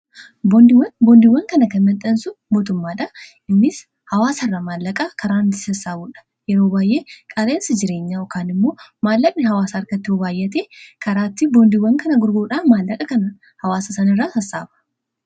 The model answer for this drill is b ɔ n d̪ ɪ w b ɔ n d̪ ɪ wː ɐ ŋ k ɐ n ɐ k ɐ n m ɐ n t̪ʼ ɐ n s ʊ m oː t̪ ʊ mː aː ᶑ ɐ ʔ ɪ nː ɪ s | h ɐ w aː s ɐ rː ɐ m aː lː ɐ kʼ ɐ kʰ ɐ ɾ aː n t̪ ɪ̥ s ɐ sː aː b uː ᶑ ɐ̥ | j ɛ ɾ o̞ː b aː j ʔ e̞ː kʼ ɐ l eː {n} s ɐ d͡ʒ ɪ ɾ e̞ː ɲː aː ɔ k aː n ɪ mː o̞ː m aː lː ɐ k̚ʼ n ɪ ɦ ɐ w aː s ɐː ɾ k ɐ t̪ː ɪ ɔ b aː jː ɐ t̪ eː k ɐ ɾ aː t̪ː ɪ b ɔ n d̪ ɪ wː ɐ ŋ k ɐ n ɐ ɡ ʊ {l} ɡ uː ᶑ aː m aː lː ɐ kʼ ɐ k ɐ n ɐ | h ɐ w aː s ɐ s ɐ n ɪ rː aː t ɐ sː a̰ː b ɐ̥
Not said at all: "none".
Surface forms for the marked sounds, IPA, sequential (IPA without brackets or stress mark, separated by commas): n, ɾ